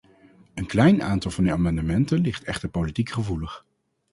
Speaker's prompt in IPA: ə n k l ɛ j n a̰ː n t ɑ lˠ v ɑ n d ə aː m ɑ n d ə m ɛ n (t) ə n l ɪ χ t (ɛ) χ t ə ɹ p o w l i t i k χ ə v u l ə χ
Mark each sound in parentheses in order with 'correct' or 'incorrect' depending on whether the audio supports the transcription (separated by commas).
correct, correct